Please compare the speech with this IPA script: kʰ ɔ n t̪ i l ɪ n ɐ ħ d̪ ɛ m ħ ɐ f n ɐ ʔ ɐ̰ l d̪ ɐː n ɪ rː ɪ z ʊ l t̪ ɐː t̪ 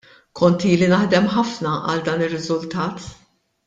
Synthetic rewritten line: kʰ ɔ n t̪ iː l i n ɐ ħ d̪ ɛ m ħ ɐ f n ɐ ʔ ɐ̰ l d̪ ɐː n ɪ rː ɪ z ʊ l t̪ ɐː t̪